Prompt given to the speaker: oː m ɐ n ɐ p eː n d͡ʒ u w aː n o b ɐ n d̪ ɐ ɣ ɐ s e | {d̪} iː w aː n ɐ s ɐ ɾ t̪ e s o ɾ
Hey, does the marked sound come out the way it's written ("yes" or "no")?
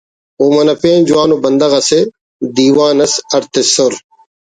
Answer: yes